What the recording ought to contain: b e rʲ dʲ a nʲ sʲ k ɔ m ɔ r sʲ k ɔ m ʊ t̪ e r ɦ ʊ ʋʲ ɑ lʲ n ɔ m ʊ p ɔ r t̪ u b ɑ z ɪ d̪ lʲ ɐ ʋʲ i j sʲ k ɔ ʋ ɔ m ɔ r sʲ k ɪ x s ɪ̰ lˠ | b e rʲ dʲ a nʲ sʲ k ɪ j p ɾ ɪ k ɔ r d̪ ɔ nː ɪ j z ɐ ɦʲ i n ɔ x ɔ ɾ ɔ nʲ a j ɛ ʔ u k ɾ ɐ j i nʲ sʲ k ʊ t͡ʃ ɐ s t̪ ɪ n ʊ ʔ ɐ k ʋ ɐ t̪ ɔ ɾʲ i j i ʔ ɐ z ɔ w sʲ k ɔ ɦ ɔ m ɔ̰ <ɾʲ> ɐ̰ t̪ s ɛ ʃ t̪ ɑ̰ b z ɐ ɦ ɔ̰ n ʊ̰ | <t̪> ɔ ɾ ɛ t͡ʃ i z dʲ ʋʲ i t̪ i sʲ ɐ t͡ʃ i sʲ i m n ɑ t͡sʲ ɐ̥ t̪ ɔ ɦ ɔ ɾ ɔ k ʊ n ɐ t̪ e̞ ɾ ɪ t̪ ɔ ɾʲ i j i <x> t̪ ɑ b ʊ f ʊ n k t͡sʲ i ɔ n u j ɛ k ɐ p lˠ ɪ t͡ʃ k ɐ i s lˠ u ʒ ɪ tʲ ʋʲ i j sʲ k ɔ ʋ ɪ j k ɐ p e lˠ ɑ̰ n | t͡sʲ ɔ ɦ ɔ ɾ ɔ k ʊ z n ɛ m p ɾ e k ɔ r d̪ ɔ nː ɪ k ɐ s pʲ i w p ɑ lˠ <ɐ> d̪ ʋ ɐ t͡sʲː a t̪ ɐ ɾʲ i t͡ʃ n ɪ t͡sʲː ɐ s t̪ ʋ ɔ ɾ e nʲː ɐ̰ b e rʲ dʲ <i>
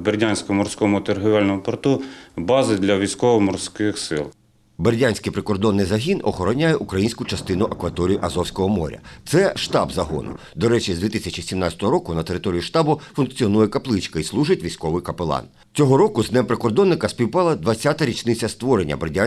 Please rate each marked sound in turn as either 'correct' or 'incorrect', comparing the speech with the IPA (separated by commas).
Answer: correct, incorrect, incorrect, correct, incorrect